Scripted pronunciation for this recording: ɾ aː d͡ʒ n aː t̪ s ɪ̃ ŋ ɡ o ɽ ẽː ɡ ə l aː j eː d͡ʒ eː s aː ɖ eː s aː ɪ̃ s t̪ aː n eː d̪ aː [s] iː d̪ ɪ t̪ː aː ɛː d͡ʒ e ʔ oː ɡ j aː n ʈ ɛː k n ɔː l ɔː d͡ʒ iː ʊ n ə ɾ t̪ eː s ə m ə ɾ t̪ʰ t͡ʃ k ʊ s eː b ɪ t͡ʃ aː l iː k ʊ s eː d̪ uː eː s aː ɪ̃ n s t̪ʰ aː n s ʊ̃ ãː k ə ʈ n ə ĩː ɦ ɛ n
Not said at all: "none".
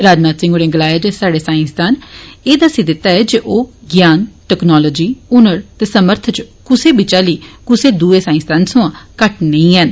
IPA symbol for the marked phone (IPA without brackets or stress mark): s